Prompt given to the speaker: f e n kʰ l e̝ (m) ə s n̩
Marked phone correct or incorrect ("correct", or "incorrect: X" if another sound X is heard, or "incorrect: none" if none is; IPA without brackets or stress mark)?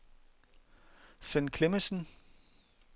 correct